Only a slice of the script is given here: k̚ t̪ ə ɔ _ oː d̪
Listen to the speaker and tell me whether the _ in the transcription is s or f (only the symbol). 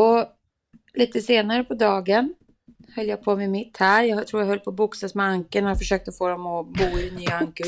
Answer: f